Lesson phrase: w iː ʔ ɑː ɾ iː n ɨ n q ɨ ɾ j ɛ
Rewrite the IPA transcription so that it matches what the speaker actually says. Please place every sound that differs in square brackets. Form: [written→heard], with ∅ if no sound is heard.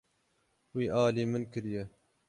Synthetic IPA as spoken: w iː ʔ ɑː [ɾ→l] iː [n→m] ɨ n [q→k] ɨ ɾ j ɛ